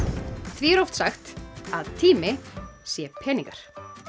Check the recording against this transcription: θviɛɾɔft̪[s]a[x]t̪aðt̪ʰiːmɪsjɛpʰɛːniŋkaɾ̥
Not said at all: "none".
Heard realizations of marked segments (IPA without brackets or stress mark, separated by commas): s, x